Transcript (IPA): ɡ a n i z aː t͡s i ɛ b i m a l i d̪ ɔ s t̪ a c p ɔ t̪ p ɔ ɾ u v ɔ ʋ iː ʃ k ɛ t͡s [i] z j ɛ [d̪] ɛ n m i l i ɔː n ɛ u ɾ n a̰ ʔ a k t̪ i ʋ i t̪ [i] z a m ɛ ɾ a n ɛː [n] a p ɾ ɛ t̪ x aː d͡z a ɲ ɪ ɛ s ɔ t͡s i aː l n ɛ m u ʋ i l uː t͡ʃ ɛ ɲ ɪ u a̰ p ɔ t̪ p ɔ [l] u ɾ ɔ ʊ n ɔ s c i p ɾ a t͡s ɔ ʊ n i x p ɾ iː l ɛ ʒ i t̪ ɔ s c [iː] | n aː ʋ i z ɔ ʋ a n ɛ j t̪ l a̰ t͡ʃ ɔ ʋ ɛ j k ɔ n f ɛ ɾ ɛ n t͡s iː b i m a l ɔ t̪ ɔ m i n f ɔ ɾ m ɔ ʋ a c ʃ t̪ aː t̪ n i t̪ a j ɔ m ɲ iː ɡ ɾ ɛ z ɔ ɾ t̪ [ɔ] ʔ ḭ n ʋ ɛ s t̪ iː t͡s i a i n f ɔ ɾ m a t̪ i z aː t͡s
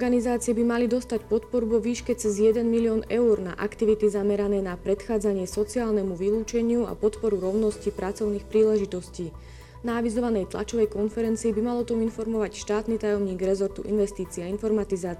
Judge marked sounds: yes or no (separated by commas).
no, yes, yes, yes, no, yes, no